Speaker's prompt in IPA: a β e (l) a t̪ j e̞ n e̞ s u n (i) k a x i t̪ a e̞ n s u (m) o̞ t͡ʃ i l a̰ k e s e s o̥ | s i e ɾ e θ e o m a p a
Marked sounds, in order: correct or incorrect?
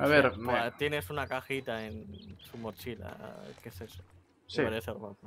incorrect, incorrect, correct

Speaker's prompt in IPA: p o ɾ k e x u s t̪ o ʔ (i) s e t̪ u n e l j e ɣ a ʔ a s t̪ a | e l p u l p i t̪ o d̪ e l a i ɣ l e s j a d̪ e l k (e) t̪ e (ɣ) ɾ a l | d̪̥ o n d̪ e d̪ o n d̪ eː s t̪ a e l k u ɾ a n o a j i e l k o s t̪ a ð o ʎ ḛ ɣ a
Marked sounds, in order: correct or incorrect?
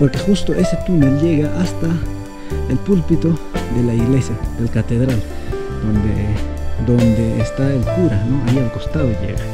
incorrect, incorrect, incorrect

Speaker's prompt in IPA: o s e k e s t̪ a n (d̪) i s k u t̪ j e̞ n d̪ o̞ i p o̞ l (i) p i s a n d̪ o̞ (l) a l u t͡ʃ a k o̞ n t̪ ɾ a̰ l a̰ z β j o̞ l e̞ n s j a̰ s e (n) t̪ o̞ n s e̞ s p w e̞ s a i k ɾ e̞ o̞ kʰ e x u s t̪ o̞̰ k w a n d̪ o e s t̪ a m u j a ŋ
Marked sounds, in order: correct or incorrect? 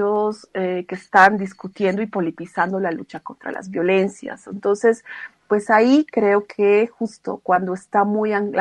correct, correct, correct, correct

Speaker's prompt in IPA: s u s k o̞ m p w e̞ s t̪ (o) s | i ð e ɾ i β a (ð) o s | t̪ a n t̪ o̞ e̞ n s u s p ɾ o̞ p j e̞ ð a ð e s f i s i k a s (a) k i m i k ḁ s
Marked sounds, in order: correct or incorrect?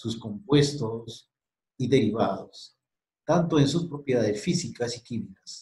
correct, correct, incorrect

